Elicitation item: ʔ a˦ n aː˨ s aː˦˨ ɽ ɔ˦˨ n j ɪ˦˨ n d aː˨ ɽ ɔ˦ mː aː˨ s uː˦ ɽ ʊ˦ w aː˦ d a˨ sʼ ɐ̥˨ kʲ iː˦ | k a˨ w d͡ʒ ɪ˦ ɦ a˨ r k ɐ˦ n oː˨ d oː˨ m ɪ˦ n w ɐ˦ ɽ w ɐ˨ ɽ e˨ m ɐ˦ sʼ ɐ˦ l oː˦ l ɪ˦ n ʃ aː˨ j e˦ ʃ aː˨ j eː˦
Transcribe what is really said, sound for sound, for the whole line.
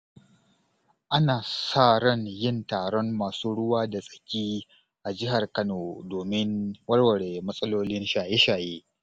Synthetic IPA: ʔ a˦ n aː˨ s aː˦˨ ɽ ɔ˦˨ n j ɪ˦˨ n t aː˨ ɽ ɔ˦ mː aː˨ s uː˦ ɽ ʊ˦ w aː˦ d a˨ sʼ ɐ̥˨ kʲ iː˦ | ʔ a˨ d͡ʒ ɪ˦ ɦ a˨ r k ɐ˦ n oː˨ d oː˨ m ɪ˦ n w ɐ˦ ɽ w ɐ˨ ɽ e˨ m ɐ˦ sʼ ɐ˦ l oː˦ l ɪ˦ n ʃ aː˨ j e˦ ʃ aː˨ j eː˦